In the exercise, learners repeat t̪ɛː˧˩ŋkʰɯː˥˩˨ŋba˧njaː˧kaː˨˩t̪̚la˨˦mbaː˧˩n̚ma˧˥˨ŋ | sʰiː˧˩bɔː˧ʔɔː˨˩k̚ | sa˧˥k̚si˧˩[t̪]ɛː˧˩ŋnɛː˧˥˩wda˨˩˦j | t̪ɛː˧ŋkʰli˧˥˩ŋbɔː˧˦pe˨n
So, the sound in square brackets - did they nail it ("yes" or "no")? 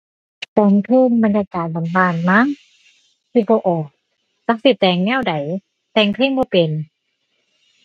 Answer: yes